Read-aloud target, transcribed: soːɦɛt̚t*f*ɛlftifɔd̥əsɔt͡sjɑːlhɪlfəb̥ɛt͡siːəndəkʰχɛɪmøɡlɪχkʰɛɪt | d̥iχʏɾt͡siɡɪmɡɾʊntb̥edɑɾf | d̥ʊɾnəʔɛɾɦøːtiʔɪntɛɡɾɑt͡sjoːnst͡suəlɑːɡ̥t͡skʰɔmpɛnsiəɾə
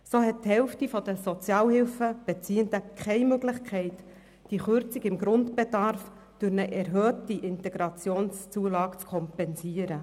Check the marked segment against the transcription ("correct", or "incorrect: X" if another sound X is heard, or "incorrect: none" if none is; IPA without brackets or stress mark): incorrect: h